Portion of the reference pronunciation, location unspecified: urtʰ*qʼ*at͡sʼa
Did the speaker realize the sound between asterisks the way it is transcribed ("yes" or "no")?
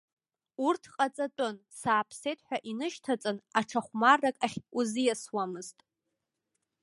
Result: yes